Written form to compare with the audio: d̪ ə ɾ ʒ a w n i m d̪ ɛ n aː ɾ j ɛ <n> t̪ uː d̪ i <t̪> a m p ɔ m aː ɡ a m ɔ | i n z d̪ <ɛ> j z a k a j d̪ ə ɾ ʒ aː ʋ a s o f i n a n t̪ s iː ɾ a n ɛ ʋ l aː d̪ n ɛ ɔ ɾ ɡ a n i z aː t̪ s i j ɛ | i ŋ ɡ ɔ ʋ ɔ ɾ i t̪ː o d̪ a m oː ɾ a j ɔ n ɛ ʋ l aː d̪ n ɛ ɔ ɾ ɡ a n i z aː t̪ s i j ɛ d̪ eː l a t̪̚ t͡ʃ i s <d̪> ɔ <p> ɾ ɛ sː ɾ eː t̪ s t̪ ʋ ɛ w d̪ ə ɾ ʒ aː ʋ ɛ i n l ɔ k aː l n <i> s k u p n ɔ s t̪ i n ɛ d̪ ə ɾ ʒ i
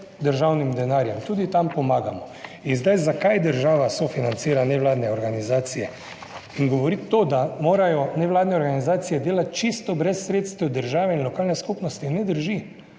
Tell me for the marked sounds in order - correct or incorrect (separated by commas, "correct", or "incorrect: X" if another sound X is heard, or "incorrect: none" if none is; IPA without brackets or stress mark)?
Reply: incorrect: m, correct, incorrect: a, incorrect: t̪, incorrect: b, incorrect: ɛ